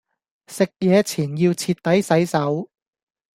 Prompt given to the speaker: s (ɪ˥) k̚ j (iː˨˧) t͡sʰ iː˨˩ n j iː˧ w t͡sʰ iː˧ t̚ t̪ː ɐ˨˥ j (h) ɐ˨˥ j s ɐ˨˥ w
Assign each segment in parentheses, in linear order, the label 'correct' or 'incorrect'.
incorrect: ɪ˨, incorrect: ɛː˨˧, incorrect: s

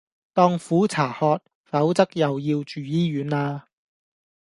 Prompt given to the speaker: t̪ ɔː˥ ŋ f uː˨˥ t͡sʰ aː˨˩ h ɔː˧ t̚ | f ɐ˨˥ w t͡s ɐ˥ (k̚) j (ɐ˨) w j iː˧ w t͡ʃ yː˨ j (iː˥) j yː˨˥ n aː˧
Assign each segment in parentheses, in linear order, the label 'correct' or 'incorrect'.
correct, correct, correct

